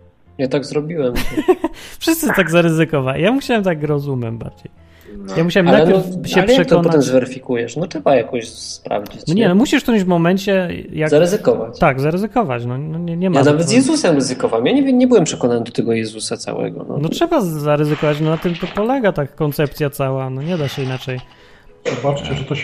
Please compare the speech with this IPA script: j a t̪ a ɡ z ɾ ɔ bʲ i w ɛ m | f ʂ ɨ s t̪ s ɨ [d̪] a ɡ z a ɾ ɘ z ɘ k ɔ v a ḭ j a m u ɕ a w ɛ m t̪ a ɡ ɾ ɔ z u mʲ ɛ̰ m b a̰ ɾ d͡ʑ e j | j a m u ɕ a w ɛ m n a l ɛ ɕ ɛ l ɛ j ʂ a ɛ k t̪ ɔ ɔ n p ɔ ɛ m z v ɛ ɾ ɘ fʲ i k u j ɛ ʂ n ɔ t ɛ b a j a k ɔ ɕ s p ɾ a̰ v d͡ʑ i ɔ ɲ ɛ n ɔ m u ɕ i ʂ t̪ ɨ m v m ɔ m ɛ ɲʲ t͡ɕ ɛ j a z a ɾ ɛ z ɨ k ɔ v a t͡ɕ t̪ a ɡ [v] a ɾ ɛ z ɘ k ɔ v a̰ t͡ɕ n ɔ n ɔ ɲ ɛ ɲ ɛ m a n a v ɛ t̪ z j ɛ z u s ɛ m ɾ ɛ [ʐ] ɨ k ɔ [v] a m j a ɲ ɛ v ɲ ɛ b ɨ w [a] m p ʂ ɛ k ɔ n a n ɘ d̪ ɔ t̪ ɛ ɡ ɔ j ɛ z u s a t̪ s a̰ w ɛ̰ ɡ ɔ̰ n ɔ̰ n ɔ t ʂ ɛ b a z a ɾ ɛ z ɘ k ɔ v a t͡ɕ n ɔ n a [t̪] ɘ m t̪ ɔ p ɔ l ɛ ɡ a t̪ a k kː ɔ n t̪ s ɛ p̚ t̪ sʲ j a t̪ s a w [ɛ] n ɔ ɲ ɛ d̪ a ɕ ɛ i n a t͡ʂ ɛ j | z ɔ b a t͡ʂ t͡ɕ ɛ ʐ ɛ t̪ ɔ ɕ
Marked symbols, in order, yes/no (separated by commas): no, no, no, yes, no, yes, no